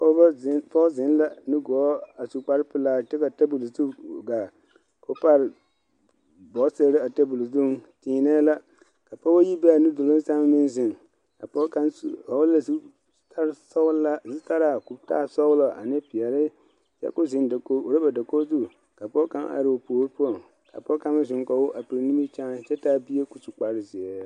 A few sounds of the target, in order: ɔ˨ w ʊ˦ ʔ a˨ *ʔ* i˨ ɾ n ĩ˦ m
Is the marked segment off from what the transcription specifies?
yes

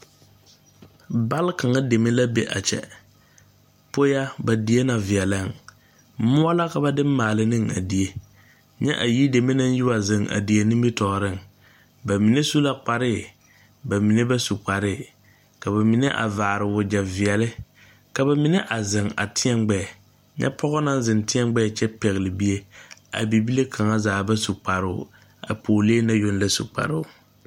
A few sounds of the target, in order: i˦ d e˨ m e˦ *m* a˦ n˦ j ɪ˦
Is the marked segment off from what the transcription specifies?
yes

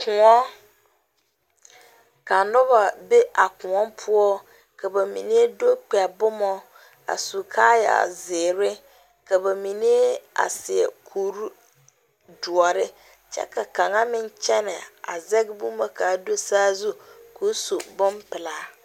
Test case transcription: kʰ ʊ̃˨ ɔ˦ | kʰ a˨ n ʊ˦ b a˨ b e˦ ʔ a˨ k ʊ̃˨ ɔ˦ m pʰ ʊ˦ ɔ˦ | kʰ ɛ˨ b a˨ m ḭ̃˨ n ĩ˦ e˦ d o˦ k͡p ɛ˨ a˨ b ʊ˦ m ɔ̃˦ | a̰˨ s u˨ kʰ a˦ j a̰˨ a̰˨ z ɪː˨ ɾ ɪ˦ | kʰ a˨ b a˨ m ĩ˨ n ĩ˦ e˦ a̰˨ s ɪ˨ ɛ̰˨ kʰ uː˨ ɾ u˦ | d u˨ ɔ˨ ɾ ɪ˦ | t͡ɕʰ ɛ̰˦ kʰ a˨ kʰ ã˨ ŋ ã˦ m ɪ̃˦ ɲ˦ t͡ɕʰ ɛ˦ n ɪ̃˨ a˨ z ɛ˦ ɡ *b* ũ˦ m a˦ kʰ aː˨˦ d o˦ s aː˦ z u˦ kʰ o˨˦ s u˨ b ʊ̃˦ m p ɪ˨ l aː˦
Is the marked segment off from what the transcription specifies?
no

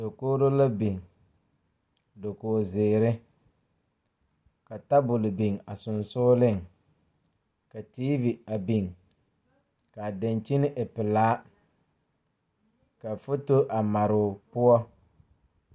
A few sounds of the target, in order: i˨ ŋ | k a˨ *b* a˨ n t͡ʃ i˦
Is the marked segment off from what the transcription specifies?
yes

